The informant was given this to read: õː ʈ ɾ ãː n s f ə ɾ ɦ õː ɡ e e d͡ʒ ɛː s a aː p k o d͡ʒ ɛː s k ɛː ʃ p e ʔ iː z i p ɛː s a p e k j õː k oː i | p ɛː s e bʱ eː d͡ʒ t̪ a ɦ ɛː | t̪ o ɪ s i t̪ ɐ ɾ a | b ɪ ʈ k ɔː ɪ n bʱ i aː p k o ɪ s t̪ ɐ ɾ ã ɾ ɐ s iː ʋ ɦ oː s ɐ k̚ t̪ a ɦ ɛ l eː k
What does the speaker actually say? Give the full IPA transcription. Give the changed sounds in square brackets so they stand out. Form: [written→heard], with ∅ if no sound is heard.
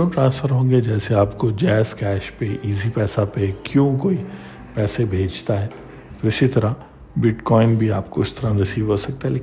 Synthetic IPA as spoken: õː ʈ ɾ ãː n s f ə ɾ ɦ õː ɡ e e d͡ʒ ɛː s [a→e] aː p k o d͡ʒ ɛː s k ɛː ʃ p e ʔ iː z i p ɛː s a p e k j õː k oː i | p ɛː s e bʱ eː d͡ʒ t̪ a ɦ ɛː | t̪ o ɪ s i t̪ ɐ ɾ a | b ɪ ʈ k ɔː ɪ n bʱ i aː p k o ɪ s t̪ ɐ ɾ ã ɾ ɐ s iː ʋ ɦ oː s ɐ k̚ t̪ a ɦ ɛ l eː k